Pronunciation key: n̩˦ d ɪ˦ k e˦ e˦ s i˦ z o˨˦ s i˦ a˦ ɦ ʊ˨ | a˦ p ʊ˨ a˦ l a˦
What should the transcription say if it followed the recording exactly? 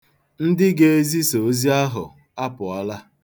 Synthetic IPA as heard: n̩˦ d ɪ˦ ɡ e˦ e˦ z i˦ s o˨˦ z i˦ a˦ ɦ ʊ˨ | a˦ p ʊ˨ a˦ l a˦